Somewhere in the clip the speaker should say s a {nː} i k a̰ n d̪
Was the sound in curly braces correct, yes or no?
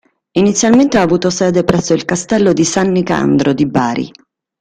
yes